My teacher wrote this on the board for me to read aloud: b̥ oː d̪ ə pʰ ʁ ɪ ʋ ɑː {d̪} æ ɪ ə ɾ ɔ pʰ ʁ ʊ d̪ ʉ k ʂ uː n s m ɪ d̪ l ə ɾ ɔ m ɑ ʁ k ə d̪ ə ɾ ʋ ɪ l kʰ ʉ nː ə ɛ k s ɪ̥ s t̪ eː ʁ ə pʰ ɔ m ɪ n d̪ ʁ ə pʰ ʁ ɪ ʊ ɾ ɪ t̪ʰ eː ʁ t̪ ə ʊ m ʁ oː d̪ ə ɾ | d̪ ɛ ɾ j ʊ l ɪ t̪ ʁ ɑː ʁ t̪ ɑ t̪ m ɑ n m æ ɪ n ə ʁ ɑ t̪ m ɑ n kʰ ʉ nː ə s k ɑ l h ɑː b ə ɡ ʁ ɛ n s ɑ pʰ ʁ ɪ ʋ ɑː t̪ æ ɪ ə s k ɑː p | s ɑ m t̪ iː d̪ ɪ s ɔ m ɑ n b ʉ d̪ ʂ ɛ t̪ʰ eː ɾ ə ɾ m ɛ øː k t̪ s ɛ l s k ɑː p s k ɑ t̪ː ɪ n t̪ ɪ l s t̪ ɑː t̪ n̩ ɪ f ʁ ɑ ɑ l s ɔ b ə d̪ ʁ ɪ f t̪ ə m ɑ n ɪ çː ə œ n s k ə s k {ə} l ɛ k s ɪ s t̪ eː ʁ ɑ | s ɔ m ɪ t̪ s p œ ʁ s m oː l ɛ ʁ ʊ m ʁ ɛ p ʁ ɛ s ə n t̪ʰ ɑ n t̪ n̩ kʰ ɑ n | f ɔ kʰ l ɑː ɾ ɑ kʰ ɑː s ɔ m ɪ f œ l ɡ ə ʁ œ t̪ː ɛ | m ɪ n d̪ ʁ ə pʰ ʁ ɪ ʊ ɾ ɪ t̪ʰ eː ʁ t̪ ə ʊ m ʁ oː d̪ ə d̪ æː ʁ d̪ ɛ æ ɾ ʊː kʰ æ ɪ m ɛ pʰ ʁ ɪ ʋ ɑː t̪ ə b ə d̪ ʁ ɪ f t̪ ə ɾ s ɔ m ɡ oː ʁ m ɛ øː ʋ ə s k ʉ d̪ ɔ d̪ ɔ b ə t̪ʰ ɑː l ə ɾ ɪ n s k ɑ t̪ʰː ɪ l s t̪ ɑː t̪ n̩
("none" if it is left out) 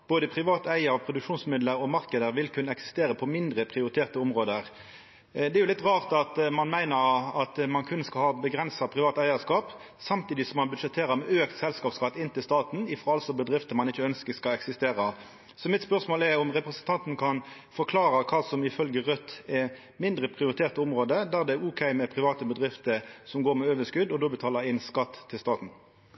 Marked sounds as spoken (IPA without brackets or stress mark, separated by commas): t̪, ɑ